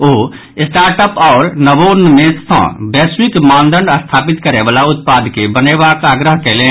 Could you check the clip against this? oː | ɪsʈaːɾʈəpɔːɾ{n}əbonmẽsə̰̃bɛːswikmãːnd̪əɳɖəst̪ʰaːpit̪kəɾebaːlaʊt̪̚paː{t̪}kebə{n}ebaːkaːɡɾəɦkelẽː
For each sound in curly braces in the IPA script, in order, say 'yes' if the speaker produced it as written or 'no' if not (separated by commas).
yes, no, yes